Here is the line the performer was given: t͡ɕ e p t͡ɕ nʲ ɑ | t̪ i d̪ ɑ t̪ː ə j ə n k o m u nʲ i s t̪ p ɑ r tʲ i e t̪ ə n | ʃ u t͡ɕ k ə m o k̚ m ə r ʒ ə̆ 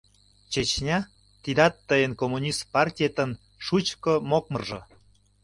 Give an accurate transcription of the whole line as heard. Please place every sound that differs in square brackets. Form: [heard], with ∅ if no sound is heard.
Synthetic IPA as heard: t͡ɕ e [∅] t͡ɕ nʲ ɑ | t̪ i d̪ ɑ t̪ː ə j ə n k o m u nʲ i s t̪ p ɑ r tʲ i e t̪ ə n | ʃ u t͡ɕ k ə m o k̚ m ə r ʒ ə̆